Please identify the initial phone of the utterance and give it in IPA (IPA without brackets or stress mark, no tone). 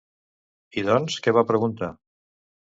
i